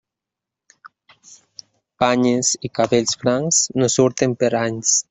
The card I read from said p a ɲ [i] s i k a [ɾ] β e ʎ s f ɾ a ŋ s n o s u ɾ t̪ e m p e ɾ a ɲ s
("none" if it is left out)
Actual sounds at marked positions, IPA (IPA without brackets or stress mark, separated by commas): e, none